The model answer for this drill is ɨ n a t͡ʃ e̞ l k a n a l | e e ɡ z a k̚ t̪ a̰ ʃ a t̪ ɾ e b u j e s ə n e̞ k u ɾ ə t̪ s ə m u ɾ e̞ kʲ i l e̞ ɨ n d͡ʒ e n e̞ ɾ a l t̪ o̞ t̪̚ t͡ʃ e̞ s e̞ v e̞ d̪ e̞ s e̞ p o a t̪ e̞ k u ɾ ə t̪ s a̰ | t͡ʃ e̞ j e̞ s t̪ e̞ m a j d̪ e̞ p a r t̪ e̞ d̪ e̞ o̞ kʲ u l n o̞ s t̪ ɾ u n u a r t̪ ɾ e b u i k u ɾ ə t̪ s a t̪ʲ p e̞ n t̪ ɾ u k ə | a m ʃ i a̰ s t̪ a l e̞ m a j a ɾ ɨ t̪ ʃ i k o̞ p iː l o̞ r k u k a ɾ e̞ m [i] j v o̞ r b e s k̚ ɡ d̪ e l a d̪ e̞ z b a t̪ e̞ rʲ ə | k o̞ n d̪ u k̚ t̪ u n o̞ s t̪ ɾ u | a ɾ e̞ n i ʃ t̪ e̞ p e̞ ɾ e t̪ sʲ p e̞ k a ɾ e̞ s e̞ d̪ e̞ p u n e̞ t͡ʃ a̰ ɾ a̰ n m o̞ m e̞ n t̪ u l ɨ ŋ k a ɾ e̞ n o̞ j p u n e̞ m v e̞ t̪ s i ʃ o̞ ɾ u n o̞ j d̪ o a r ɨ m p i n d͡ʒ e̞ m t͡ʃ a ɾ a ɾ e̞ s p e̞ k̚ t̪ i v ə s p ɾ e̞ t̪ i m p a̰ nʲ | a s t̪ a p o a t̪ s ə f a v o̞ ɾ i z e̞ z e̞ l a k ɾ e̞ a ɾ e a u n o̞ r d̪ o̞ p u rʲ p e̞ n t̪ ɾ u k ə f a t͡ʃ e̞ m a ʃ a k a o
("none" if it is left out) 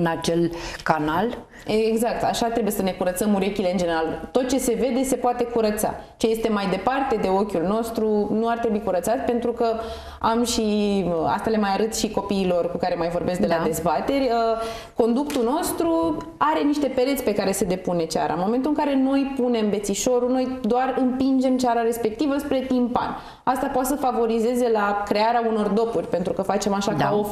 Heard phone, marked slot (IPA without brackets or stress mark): a